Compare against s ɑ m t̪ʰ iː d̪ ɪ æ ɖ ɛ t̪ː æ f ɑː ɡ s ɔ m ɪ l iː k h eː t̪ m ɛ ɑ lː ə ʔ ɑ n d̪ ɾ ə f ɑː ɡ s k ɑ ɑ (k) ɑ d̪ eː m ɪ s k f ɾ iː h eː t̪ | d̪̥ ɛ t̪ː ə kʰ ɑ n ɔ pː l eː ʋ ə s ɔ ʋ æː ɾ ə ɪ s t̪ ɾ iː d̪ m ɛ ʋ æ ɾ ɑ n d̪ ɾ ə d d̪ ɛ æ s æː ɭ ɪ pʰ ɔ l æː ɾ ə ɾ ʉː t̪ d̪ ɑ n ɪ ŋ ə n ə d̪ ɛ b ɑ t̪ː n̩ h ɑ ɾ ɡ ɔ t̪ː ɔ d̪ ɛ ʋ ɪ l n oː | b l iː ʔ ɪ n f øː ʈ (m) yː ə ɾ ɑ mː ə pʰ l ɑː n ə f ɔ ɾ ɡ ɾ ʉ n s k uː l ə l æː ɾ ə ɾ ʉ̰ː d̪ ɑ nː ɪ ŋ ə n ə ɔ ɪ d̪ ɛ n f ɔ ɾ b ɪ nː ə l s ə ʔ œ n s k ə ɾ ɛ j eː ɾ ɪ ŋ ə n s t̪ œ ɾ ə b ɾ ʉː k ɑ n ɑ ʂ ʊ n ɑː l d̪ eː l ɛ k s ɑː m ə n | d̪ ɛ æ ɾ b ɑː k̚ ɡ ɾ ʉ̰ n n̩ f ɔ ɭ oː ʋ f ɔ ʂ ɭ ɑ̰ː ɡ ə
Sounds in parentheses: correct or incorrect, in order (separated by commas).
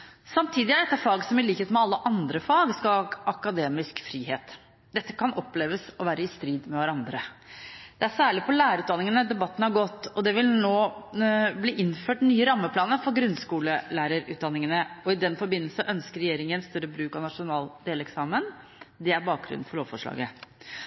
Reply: correct, incorrect